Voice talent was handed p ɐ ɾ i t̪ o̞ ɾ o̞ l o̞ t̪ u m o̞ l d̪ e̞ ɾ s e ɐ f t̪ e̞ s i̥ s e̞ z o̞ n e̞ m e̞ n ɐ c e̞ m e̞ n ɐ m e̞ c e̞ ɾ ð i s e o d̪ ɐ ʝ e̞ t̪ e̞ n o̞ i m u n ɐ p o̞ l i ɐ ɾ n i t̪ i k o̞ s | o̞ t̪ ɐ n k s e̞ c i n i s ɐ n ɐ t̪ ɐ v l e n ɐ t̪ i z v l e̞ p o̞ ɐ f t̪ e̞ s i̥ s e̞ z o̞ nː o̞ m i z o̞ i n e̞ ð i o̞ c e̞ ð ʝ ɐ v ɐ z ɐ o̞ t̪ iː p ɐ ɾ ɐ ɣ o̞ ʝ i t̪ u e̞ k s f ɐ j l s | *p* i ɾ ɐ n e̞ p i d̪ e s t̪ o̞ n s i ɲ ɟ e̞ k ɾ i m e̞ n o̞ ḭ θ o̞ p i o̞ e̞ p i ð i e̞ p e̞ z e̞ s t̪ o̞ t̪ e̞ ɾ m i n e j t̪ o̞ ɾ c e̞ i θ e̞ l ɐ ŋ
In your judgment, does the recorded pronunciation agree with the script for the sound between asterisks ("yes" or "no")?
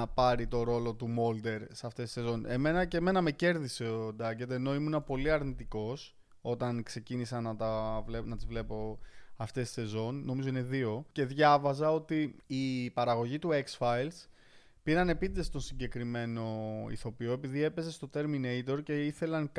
yes